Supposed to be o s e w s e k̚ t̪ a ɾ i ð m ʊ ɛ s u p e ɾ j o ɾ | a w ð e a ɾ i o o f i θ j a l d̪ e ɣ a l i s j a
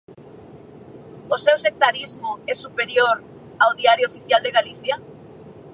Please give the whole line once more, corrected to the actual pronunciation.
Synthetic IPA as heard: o s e w s e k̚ t̪ a ɾ i z m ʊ ɛ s u p e ɾ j o ɾ | a w ð i a ɾ j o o f i θ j a l d̪ e ɣ a l i θ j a